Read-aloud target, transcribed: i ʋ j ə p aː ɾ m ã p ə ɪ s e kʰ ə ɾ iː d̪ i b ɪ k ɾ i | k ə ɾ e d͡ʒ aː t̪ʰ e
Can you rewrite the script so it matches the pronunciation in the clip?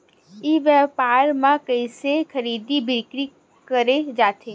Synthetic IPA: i ʋ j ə p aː ɾ m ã k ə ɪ s e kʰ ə ɾ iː d̪ i b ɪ k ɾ i | k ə ɾ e d͡ʒ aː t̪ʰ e